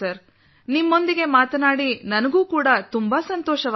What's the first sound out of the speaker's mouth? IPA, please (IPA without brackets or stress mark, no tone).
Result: ɐ